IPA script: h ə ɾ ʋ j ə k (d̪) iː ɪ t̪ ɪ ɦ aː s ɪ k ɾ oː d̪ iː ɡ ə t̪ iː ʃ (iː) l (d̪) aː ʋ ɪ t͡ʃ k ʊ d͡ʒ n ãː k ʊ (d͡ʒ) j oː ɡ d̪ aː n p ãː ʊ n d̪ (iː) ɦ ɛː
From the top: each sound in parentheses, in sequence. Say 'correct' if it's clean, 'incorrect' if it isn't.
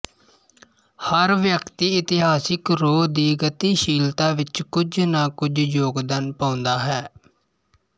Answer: incorrect, correct, incorrect, correct, incorrect

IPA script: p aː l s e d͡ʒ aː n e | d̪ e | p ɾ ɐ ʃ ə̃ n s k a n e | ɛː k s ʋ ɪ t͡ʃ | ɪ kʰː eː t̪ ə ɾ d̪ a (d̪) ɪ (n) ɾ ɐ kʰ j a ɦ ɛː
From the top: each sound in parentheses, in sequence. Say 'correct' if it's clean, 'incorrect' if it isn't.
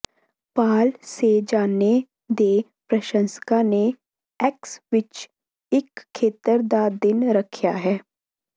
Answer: correct, correct

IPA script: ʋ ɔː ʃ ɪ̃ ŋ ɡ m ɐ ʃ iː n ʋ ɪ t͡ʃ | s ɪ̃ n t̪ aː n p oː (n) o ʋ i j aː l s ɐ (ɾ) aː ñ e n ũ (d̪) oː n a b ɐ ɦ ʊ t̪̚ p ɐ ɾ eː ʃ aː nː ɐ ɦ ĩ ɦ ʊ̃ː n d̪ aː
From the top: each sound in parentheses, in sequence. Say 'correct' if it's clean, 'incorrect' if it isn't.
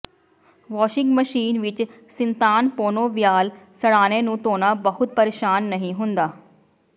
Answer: correct, incorrect, incorrect

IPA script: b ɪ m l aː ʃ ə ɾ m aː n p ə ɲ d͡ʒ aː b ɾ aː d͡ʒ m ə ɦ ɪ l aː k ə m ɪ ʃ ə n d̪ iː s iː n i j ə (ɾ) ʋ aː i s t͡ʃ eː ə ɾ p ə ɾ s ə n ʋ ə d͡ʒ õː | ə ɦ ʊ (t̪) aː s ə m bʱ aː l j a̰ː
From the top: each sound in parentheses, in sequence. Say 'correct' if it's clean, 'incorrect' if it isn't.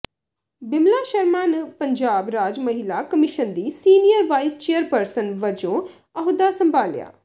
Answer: correct, incorrect

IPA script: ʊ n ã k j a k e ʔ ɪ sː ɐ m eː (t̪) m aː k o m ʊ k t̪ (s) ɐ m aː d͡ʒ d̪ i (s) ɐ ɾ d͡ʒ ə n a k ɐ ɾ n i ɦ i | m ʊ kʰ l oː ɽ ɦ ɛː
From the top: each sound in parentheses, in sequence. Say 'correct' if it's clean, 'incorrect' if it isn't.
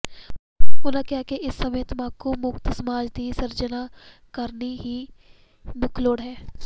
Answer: correct, correct, correct

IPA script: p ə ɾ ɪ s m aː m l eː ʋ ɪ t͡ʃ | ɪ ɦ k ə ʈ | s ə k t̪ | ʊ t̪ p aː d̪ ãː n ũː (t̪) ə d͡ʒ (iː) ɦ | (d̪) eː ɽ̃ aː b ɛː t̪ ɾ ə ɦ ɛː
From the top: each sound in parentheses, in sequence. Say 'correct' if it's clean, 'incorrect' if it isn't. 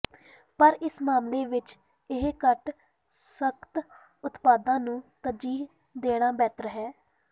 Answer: correct, correct, correct

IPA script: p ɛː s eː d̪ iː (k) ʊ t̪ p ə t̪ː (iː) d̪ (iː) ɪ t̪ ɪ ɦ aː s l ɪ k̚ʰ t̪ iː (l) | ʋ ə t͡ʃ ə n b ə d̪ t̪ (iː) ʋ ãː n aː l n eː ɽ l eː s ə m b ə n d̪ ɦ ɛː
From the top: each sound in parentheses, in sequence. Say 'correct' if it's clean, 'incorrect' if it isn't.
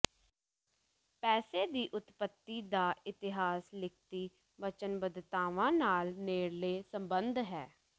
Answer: incorrect, correct, incorrect, incorrect, incorrect

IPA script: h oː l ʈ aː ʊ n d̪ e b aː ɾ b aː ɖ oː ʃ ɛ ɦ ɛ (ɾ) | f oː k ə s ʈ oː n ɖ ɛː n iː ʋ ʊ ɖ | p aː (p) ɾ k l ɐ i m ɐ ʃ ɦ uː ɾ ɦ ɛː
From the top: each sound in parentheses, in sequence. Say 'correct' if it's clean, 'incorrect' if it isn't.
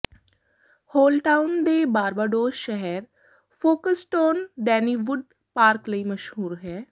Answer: correct, incorrect

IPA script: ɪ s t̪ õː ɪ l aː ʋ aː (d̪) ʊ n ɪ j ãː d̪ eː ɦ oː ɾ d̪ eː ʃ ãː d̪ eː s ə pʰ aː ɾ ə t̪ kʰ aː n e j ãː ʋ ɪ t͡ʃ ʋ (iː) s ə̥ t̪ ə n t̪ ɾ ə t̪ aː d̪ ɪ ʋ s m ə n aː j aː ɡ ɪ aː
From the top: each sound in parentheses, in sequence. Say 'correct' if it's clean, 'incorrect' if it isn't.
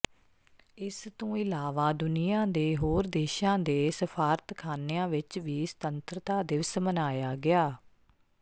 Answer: correct, correct

